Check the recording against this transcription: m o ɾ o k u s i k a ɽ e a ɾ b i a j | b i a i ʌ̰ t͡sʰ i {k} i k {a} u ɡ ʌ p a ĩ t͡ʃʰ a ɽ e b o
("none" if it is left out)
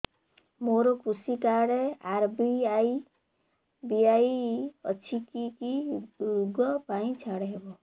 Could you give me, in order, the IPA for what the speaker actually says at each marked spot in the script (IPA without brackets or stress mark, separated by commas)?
k, i